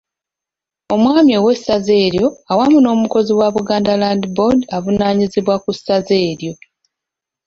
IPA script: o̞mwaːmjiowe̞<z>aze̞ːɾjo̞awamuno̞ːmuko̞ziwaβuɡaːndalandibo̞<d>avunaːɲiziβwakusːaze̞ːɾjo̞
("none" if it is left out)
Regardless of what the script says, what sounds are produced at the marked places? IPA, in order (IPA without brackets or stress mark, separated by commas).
s, d